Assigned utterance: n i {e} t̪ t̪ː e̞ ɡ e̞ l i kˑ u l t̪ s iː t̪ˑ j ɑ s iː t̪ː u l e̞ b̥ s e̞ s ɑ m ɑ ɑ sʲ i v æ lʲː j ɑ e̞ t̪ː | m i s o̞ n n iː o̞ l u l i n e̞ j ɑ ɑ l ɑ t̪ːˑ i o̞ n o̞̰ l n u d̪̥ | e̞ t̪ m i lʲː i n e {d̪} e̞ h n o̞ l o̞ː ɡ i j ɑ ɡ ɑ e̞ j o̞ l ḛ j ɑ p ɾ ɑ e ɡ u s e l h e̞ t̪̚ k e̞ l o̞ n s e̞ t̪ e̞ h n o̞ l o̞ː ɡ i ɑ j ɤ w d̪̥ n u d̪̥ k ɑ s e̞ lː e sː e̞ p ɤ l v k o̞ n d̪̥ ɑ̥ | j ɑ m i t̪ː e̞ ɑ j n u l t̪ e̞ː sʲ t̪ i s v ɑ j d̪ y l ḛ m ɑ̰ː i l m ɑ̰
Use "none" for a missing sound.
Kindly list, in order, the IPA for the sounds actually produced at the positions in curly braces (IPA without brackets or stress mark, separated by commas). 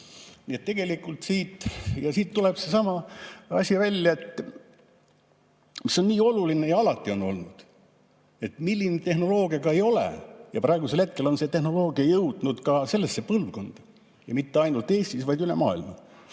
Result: e, t̪